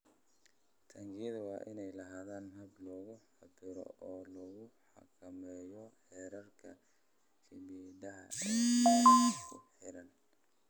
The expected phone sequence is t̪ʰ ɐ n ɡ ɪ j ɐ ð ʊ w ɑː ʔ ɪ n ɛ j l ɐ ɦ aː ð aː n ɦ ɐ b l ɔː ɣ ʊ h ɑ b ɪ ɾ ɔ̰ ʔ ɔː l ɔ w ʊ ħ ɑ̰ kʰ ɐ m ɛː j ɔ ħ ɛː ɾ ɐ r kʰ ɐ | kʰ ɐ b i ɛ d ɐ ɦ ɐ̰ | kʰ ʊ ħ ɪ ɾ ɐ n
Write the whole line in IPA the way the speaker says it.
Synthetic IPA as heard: t̪ʰ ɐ ŋ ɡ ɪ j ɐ ð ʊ w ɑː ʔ ɪ n ɛ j l ɐ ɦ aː ð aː n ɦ ɐ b l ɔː ɣ ʊ ħ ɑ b ɪ ɾ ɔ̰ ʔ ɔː l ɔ ɣ ʊ ħ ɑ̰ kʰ ɐ m ɛː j ɔ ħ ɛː ɾ ɐ r kʰ ɐ | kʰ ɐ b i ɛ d ɐ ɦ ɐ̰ | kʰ ʊ ħ ɪ ɾ ɐ n